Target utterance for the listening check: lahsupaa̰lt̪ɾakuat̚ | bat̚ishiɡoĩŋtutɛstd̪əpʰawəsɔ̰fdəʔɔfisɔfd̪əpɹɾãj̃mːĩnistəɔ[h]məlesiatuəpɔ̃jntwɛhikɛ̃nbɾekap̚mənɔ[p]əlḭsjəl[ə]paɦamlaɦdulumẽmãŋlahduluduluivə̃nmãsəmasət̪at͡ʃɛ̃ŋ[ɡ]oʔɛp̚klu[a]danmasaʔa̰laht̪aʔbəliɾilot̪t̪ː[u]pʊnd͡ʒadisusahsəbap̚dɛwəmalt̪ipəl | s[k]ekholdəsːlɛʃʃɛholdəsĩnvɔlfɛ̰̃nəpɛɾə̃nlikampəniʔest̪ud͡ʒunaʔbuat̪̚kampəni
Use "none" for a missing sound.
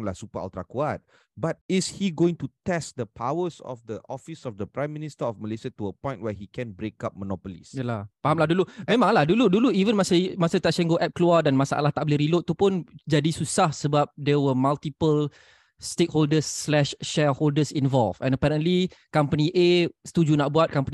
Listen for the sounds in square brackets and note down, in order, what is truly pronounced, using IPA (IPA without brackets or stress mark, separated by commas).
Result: f, p, a, ɡ, a, u, t